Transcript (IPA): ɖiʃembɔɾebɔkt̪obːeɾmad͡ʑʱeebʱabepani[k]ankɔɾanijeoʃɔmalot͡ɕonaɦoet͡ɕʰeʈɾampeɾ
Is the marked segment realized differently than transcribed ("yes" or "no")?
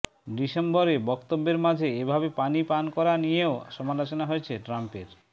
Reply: yes